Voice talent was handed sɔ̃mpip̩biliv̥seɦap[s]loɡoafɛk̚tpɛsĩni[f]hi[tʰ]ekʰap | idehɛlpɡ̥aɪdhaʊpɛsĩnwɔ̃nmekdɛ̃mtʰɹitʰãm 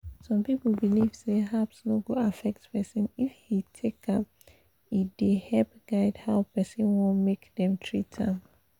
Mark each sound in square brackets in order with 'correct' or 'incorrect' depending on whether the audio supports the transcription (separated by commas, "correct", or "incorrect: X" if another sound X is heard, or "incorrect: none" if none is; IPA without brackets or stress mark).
correct, correct, correct